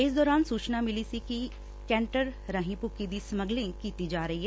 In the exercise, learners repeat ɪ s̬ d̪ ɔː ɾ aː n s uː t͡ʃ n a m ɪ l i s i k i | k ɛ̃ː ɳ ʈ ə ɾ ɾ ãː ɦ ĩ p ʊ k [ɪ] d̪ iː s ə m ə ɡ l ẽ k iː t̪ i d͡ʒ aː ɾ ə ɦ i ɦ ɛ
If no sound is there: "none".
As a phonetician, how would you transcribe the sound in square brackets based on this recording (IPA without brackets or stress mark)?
i